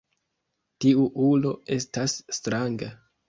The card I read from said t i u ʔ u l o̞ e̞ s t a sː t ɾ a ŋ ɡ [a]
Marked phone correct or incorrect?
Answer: correct